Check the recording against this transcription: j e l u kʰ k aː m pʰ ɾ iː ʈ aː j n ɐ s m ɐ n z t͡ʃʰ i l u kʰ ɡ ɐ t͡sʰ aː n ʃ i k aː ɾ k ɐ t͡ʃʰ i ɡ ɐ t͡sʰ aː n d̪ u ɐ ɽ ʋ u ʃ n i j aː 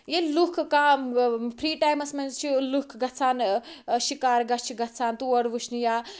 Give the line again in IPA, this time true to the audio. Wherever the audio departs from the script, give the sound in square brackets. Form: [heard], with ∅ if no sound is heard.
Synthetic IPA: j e l u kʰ k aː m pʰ ɾ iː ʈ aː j [m] ɐ s m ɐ n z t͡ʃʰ i l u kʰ ɡ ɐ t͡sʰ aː n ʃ i k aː ɾ [ɡ] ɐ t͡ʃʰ i ɡ ɐ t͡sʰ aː n [t̪] u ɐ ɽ ʋ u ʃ n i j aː